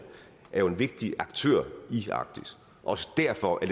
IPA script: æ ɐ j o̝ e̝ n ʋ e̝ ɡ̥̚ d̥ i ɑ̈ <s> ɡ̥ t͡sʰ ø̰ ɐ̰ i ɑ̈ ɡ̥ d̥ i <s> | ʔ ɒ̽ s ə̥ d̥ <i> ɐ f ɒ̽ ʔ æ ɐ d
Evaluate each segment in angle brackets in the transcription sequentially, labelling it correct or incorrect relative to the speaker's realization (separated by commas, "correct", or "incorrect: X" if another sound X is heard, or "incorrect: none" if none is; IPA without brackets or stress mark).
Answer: incorrect: none, correct, incorrect: æ